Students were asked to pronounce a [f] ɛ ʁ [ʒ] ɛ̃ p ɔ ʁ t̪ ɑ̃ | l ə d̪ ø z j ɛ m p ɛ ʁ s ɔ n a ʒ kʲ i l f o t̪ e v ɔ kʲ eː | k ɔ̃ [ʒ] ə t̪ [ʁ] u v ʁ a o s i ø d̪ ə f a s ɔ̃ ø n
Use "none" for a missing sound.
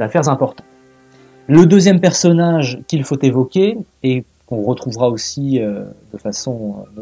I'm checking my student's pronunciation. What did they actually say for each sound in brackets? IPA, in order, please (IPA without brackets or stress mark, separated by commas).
f, z, ʁ, χ